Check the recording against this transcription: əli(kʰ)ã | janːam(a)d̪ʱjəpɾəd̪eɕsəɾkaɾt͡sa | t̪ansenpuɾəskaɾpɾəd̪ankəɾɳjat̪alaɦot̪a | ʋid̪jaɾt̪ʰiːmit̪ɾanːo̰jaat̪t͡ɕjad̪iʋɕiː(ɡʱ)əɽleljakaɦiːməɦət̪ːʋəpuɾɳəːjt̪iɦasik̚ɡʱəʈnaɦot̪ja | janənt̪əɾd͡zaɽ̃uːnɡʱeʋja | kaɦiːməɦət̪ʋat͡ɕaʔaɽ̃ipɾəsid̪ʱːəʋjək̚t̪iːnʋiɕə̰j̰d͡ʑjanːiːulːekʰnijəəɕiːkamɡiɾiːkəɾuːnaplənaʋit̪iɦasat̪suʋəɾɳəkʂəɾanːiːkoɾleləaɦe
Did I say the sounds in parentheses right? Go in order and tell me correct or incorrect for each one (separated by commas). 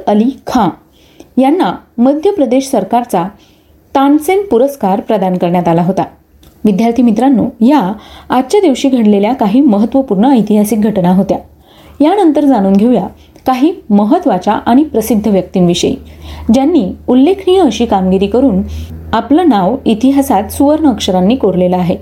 correct, incorrect, correct